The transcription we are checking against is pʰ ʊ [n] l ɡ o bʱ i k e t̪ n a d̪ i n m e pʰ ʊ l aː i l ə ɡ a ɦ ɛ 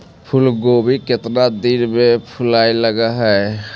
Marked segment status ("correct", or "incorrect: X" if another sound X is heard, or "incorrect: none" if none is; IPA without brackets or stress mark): incorrect: none